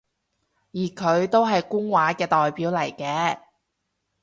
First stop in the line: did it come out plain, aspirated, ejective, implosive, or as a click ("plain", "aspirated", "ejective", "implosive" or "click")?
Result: aspirated